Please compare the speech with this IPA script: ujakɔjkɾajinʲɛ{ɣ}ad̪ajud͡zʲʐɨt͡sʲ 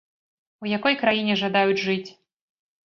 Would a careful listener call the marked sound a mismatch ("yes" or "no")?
yes